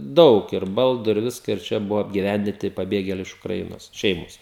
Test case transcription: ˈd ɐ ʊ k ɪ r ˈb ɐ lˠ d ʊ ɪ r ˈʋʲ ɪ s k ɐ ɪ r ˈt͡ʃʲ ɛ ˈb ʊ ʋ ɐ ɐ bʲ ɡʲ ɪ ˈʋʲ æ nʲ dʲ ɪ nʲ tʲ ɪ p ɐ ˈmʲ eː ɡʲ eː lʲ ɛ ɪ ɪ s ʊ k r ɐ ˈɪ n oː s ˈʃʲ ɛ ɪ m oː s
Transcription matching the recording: ˈd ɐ ʊ k ɪ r ˈb ɐ lˠ d ʊ ɪ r ˈʋʲ ɪ s k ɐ ɪ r ˈt͡ʃʲ ɛ ˈb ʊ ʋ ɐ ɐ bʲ ɡʲ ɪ ˈʋʲ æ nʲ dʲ ɪ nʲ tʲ ɪ p ɐ ˈbʲ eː ɡʲ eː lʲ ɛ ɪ ɪ ʃ ʊ k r ɐ ˈɪ n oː s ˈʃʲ ɛ ɪ m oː s